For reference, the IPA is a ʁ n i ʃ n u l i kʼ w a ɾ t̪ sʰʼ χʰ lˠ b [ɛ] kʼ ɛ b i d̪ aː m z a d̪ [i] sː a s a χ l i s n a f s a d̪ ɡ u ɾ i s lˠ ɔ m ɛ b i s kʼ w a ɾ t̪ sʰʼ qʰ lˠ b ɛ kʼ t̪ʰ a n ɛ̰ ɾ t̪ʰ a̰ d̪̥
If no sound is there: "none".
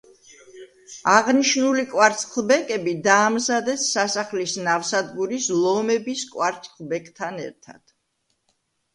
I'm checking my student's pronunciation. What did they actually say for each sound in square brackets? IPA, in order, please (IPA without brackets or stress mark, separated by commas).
ɛ, ɛ